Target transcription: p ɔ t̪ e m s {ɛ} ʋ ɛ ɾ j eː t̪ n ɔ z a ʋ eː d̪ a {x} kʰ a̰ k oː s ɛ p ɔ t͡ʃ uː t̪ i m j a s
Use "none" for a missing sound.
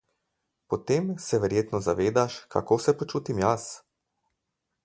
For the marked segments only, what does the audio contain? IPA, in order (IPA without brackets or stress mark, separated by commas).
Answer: ɛ, ʃ